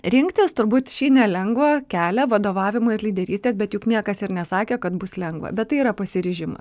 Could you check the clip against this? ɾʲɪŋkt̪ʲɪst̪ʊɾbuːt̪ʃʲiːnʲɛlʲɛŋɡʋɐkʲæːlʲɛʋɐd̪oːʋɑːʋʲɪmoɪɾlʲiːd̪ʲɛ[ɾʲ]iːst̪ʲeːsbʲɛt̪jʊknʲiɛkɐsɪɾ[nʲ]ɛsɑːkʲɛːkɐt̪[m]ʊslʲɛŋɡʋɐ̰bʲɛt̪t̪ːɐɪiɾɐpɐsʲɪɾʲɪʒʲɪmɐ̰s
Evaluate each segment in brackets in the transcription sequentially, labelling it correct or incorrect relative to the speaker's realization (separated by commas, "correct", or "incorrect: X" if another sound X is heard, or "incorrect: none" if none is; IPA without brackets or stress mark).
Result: correct, correct, incorrect: b